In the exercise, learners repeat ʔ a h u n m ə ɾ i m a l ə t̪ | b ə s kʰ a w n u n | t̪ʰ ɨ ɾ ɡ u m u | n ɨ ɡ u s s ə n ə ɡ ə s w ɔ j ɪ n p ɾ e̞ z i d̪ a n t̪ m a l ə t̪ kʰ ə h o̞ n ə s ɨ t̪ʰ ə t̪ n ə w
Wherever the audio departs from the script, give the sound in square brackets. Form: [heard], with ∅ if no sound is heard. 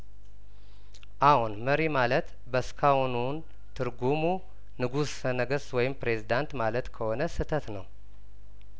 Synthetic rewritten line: ʔ a h u n m ə ɾ i m a l ə t̪ | b ə s kʰ a w n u n | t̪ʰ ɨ ɾ ɡ u m u | n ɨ ɡ u s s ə n ə ɡ ə s w ɔ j ɪ [m] p ɾ e̞ z i d̪ a n t̪ m a l ə t̪ kʰ ə h o̞ n ə s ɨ t̪ʰ ə t̪ n ə w